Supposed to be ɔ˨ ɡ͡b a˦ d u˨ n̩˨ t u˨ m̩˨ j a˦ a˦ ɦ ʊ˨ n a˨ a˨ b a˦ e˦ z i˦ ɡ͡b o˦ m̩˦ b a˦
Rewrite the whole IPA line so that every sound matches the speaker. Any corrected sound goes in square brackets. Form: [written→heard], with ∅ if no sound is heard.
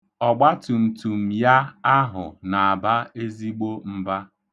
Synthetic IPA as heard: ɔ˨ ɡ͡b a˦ [d→t] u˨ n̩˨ t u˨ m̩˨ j a˦ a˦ ɦ ʊ˨ n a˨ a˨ b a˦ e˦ z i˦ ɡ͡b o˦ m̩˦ b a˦